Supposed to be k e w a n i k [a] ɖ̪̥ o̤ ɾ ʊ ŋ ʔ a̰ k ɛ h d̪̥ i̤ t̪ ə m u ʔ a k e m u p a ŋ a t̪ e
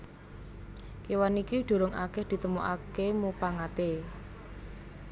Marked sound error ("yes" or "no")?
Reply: yes